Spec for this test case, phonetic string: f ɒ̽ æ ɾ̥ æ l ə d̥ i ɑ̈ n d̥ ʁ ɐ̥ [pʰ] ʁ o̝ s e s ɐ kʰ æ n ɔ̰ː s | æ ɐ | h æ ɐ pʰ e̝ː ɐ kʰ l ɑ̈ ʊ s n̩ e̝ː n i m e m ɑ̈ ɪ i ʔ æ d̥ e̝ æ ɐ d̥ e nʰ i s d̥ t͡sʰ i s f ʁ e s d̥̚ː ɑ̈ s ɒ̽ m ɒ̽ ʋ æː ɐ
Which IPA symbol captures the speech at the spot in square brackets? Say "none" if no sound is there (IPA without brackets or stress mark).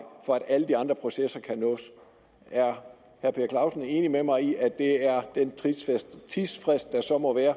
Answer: pʰ